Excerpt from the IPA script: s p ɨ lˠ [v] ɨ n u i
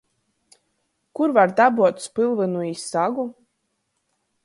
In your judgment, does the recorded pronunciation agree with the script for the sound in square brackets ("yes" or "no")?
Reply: yes